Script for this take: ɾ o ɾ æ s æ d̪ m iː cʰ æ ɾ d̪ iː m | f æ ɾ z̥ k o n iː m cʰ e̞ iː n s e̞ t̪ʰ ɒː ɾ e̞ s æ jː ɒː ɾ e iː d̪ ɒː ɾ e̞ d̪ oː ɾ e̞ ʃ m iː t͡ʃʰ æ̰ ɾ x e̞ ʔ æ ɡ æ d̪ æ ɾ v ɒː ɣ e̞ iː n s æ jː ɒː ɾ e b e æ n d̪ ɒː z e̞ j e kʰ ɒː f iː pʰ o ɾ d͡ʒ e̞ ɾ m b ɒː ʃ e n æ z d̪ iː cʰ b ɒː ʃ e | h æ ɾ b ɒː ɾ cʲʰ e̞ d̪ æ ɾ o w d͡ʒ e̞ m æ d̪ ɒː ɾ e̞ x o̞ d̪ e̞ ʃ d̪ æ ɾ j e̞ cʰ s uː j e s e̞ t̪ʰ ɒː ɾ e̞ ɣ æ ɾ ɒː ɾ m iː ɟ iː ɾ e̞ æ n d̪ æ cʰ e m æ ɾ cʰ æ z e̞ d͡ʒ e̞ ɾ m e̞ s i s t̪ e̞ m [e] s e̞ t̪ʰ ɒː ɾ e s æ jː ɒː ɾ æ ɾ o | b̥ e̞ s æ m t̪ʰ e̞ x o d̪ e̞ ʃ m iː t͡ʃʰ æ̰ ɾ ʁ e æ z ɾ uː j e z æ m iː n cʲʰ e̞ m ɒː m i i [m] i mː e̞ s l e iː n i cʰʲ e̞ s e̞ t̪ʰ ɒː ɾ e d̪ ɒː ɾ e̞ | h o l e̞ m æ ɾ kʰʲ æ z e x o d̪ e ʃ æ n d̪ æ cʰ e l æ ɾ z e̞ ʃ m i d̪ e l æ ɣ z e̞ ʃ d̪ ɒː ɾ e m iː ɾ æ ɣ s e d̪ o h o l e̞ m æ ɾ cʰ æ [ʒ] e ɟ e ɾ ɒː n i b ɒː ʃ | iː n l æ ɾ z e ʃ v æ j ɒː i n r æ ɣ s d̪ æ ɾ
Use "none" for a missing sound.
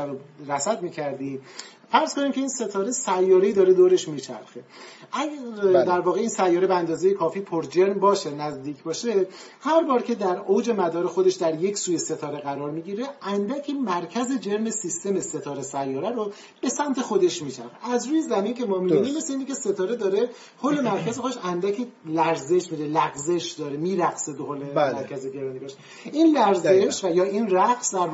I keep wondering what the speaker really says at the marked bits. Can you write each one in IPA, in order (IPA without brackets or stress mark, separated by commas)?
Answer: e, n, z